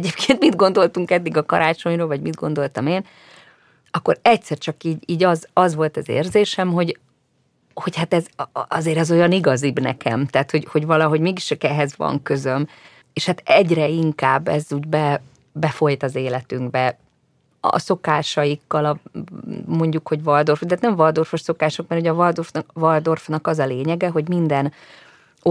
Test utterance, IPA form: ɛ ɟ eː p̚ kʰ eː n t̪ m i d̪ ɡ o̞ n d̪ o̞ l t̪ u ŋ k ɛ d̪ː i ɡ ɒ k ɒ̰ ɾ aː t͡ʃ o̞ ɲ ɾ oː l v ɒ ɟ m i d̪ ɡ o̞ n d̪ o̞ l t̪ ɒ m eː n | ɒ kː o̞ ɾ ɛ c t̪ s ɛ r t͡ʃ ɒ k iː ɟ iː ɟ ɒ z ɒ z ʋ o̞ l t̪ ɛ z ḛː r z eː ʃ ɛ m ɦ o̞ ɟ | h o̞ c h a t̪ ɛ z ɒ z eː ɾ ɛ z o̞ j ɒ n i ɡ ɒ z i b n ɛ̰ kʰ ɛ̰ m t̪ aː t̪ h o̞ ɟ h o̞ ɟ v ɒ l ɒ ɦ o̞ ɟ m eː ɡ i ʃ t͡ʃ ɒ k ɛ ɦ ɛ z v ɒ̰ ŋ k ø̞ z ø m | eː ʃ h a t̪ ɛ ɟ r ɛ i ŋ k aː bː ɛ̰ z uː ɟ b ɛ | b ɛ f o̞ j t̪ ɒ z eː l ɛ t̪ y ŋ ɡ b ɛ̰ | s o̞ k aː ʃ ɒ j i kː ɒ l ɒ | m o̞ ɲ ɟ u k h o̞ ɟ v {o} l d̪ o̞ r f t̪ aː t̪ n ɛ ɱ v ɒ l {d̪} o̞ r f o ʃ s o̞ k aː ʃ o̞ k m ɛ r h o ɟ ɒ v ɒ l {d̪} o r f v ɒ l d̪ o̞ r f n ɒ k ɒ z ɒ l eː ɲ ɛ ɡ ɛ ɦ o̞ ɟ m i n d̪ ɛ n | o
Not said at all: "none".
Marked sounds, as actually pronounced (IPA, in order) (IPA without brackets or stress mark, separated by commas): ɒ, d̪, d̪